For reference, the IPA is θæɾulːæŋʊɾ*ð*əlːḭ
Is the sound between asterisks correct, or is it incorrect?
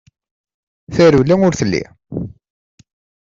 incorrect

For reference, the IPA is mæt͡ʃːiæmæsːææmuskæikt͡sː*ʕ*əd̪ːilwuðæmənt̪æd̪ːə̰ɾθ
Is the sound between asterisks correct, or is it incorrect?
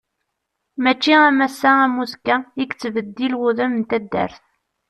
incorrect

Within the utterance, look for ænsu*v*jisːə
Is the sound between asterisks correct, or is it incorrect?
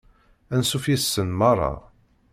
incorrect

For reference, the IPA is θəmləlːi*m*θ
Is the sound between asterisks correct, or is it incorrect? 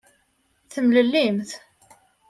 correct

